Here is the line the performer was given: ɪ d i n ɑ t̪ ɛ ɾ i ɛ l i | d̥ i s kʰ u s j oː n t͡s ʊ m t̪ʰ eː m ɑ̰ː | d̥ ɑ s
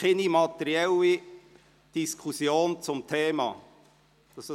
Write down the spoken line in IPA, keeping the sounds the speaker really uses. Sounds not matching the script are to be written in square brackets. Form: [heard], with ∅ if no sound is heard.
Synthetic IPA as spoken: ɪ [n] i [m] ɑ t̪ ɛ ɾ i ɛ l i | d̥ i s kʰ u s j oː n t͡s ʊ m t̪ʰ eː m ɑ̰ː | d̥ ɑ s

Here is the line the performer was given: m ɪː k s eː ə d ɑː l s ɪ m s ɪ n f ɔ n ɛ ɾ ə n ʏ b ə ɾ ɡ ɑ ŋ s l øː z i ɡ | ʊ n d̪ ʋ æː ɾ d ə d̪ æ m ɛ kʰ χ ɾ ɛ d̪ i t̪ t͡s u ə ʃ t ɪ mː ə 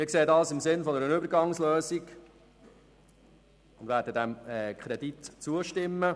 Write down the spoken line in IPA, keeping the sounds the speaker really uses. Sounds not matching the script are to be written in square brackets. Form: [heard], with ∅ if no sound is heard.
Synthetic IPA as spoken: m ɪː k s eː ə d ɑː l s ɪ m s ɪ n f ɔ n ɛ ɾ ə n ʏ b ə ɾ ɡ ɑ ŋ s l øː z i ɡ | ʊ n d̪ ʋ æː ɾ d ə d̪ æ m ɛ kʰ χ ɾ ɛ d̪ i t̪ t͡s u ə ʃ t ɪ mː ə

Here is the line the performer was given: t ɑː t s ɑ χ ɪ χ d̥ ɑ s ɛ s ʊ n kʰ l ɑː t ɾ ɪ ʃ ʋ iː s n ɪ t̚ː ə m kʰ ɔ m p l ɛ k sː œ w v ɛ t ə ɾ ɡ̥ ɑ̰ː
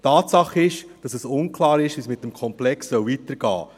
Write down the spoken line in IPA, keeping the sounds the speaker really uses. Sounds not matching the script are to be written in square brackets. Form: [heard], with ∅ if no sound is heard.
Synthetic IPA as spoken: t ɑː t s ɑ χ ɪ [ʃ] d̥ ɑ s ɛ s ʊ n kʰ l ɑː [∅] ɾ ɪ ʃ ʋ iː s [m] ɪ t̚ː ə m kʰ ɔ m p l ɛ k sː œ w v [i] t ə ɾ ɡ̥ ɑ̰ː

